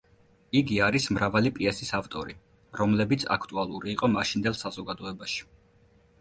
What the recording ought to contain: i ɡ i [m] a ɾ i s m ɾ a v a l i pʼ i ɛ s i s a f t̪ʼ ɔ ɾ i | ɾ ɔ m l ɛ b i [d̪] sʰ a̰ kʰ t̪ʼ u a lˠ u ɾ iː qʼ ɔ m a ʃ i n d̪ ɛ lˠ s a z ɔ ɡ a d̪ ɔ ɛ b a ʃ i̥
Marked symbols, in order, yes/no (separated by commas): no, no